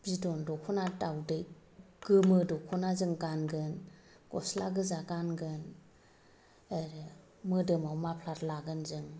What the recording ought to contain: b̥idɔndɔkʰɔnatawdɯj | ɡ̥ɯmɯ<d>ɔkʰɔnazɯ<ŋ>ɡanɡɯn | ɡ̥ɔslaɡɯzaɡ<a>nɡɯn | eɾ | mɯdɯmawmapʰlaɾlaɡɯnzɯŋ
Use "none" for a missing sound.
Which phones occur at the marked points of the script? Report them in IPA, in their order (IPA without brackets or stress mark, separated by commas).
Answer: d, ŋ, a